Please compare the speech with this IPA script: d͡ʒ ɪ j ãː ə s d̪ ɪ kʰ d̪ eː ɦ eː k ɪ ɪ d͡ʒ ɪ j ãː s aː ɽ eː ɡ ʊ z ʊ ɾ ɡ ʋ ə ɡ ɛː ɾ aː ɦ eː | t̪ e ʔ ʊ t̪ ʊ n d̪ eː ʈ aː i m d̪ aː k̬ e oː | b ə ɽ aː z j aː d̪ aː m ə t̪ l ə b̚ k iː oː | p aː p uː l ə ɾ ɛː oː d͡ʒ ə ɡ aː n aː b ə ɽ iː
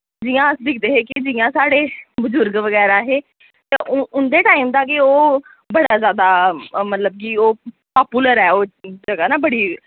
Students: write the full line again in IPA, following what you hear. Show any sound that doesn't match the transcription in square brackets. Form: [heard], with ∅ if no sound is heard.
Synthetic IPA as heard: d͡ʒ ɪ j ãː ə s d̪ ɪ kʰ d̪ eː ɦ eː k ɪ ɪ d͡ʒ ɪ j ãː s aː ɽ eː [b] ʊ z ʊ ɾ ɡ ʋ ə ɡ ɛː ɾ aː ɦ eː | t̪ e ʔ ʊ [∅] ʊ n d̪ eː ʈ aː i m d̪ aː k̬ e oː | b ə ɽ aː z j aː d̪ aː m ə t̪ l ə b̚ k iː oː | p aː p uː l ə ɾ ɛː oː d͡ʒ ə ɡ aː n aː b ə ɽ iː